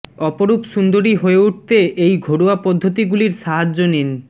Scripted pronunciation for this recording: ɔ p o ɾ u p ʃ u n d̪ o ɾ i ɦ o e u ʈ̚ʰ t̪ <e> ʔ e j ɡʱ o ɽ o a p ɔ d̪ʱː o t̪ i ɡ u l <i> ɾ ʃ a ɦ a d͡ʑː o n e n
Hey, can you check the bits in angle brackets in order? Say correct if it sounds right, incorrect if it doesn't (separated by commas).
correct, correct